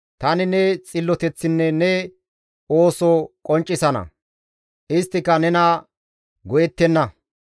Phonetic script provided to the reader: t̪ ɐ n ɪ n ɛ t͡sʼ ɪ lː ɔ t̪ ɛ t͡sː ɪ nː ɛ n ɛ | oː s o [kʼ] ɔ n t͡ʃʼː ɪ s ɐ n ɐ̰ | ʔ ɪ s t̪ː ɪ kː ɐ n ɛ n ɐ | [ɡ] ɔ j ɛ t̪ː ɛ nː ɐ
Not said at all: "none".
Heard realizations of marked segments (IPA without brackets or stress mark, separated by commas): kʼ, ɡ